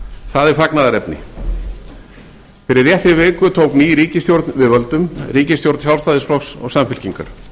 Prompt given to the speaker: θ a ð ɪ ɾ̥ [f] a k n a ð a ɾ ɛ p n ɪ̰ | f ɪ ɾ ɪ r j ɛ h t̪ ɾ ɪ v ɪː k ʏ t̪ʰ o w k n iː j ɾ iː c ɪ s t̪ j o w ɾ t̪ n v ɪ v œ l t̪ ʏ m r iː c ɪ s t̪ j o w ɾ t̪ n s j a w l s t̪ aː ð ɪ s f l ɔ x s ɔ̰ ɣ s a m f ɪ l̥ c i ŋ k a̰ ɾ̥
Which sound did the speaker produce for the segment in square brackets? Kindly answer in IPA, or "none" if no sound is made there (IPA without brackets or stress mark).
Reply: f